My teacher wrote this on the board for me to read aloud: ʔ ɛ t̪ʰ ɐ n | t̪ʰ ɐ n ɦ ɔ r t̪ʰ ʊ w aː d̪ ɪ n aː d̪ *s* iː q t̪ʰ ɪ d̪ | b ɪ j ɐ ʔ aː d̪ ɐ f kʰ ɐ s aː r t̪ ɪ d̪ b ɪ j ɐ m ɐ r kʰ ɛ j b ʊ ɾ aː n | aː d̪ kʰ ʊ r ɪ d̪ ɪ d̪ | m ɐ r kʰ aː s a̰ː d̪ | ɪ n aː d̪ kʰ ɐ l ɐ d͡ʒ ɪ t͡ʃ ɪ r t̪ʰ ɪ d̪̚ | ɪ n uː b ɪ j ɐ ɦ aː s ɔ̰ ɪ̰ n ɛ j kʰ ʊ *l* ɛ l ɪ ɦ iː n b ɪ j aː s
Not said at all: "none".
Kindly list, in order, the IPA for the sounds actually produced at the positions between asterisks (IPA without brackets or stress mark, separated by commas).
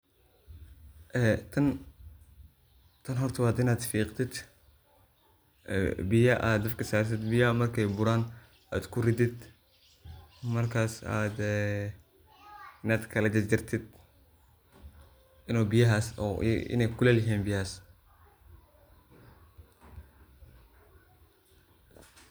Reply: f, l